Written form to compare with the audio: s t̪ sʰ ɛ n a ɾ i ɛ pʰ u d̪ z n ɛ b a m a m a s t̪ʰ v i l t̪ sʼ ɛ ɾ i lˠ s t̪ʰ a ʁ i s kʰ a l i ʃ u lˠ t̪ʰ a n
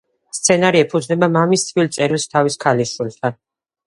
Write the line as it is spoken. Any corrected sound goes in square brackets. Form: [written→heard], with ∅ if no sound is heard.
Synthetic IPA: s t̪ sʰ ɛ n a ɾ i ɛ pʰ u d̪ z n ɛ b a m a m [a→i] s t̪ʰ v i l t̪ sʼ ɛ ɾ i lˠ s t̪ʰ a [ʁ→v] i s kʰ a l i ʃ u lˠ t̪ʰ a n

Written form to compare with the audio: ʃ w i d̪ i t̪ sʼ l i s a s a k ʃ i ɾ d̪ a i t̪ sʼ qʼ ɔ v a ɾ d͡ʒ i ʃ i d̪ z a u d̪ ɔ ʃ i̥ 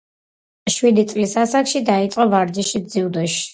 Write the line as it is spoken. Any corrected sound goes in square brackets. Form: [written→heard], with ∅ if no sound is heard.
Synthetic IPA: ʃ w i d̪ i t̪ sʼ l i s a s a k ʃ i [ɾ→∅] d̪ a i t̪ sʼ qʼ ɔ v a ɾ d͡ʒ i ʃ i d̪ z [a→i] u d̪ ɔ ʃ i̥

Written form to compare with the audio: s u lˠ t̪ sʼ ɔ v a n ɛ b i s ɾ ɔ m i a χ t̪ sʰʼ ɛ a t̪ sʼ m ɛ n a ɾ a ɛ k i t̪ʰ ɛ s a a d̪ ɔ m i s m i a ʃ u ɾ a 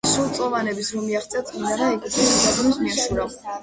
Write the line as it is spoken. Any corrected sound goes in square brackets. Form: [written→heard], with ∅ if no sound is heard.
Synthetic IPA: s u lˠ t̪ sʼ ɔ v a n ɛ b i s ɾ ɔ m i a χ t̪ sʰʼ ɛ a t̪ sʼ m [ɛ→i] n a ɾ a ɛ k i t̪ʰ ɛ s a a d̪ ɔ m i s m i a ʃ u ɾ a

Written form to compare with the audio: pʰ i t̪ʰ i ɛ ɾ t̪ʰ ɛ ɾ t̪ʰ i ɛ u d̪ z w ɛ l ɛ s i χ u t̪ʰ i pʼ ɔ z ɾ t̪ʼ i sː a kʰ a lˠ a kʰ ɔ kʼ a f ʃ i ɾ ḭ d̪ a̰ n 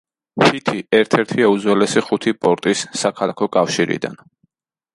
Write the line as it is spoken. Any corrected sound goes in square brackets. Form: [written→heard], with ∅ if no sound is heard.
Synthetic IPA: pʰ i t̪ʰ i ɛ ɾ t̪ʰ ɛ ɾ t̪ʰ i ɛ u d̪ z w ɛ l ɛ s i χ u t̪ʰ i pʼ ɔ [z→∅] ɾ t̪ʼ i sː a kʰ a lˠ a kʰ ɔ kʼ a f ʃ i ɾ ḭ d̪ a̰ n

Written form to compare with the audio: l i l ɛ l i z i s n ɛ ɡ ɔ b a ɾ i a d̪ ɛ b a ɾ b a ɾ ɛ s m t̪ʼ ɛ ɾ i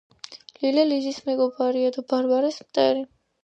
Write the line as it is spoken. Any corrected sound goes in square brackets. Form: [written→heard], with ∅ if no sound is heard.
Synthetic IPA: l i l ɛ l i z i s [n→m] ɛ ɡ ɔ b a ɾ i a d̪ [ɛ→a] b a ɾ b a ɾ ɛ s m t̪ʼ ɛ ɾ i

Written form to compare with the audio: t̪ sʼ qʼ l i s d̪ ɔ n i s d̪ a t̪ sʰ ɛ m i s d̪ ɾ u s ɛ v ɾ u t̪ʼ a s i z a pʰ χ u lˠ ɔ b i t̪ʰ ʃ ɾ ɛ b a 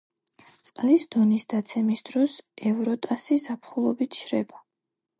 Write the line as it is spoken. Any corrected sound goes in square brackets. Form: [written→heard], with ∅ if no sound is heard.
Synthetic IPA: t̪ sʼ qʼ l i s d̪ ɔ n i s d̪ a t̪ sʰ ɛ m i s d̪ ɾ [u→ɔ] s ɛ v ɾ [u→ɔ] t̪ʼ a s i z a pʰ χ u lˠ ɔ b i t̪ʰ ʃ ɾ ɛ b a

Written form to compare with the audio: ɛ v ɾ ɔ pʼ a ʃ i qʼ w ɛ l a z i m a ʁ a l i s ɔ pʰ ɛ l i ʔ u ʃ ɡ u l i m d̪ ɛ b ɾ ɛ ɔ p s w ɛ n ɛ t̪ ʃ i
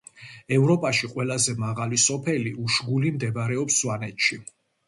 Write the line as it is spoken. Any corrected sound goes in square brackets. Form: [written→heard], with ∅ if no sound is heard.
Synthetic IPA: ɛ v ɾ ɔ pʼ a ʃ i qʼ w ɛ l a z [i→ɛ] m a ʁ a l i s ɔ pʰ ɛ l i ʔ u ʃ ɡ u l i m d̪ ɛ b ɾ ɛ ɔ p s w [ɛ→a] n ɛ t̪ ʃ i

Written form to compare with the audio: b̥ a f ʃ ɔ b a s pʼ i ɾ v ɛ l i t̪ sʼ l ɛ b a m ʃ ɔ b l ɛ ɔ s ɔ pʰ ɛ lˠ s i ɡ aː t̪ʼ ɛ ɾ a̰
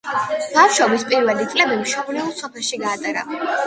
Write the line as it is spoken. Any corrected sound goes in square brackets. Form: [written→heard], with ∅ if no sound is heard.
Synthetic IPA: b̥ a f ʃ ɔ b [a→i] s pʼ i ɾ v ɛ l i t̪ sʼ l ɛ b [a→i] m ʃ ɔ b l ɛ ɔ s ɔ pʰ ɛ lˠ [s→ʃ] i ɡ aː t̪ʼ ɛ ɾ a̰

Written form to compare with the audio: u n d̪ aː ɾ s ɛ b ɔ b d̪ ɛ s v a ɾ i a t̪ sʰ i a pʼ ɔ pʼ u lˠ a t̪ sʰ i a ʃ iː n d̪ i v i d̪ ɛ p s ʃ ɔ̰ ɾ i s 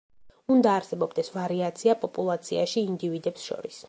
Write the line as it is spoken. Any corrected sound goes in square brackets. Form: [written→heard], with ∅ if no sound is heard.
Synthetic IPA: u n d̪ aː ɾ s ɛ b ɔ b d̪ ɛ s v a ɾ i a t̪ sʰ i a pʼ ɔ pʼ u lˠ a t̪ sʰ i a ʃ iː n d̪ i v i d̪ ɛ p s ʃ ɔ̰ ɾ i s

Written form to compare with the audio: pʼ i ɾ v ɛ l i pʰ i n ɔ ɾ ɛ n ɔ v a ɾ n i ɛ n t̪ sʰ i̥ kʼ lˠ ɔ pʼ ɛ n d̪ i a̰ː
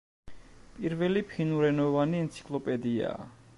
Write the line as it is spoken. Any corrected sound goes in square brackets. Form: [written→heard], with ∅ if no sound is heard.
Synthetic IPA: pʼ i ɾ v ɛ l i pʰ i n [ɔ→u] ɾ ɛ n ɔ v a [ɾ→∅] n i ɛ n t̪ sʰ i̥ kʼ lˠ ɔ pʼ ɛ [n→∅] d̪ i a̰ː

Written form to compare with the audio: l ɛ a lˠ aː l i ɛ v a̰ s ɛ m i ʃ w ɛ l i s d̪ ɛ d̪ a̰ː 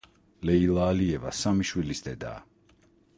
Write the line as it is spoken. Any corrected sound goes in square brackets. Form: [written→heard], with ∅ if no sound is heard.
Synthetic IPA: l ɛ [a→i] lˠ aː l i ɛ v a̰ s [ɛ→a] m i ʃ w [ɛ→i] l i s d̪ ɛ d̪ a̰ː

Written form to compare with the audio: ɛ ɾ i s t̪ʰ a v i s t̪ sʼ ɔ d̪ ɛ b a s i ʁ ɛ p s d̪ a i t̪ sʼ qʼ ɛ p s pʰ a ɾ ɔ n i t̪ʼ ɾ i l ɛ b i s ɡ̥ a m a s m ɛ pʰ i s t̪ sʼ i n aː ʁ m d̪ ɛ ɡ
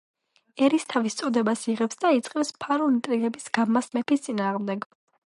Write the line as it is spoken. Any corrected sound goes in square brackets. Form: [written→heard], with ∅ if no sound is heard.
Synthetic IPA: ɛ ɾ i s t̪ʰ a v i s t̪ sʼ ɔ d̪ ɛ b a s i ʁ ɛ p s d̪ a i t̪ sʼ qʼ ɛ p s pʰ a ɾ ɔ n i t̪ʼ ɾ i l ɛ b i s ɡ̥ a m a s m ɛ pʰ i s t̪ sʼ i n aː ʁ m d̪ ɛ ɡ

